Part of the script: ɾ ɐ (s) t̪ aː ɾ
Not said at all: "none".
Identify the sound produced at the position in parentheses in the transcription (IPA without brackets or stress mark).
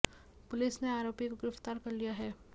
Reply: f